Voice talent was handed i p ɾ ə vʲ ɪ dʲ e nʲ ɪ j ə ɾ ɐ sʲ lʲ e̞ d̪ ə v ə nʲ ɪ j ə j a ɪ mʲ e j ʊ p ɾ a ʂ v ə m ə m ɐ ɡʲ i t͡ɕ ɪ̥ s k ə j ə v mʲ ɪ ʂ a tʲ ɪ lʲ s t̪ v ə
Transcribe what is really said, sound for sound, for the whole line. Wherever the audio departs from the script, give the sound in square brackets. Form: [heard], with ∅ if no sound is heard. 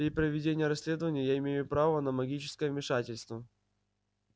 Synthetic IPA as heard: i p ɾ ə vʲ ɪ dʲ e nʲ ɪ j ə ɾ ɐ sʲ lʲ e̞ d̪ ə v ə nʲ ɪ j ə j a ɪ mʲ e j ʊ p ɾ a [∅] v ə [n] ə m ɐ ɡʲ i t͡ɕ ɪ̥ s k ə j ə v mʲ ɪ ʂ a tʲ ɪ lʲ s t̪ v ə